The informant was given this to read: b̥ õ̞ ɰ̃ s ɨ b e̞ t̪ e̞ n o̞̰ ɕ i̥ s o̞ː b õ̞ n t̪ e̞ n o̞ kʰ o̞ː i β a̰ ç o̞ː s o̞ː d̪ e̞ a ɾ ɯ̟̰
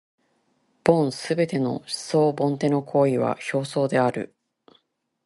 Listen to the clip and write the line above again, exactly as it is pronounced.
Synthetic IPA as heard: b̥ õ̞ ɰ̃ s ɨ b e̞ t̪ e̞ n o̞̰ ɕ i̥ s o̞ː b õ̞ n t̪ e̞ n o̞ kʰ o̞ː i β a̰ ç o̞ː s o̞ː d̪ e̞ a ɾ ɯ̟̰